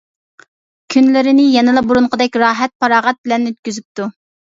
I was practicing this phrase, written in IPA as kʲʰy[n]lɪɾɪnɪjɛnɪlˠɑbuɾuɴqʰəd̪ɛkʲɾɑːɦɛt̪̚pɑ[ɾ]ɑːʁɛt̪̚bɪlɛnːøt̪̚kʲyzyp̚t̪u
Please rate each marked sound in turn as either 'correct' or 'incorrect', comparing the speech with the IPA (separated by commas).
correct, correct